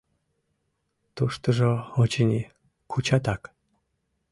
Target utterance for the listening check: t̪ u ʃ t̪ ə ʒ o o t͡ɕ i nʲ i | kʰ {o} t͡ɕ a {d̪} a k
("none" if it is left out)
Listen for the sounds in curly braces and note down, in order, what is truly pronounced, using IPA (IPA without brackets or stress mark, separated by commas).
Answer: u, t̪